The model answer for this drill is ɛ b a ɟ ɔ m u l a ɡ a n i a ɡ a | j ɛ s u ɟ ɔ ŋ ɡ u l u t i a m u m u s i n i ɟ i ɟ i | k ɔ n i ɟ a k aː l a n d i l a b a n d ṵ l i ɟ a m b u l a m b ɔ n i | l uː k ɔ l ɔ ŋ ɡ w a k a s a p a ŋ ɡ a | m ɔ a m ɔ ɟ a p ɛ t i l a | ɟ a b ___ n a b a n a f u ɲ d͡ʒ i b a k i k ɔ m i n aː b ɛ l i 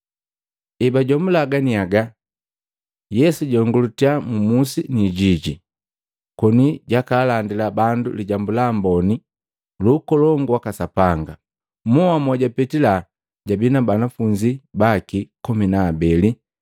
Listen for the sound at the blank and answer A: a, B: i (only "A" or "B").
B